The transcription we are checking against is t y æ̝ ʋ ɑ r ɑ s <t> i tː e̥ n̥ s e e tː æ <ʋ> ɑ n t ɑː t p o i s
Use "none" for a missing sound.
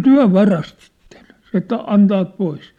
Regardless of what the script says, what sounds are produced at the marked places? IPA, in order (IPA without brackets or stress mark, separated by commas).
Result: t, none